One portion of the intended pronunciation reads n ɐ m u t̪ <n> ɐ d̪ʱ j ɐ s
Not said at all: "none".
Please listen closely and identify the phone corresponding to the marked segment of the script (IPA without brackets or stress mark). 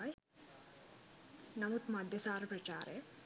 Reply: m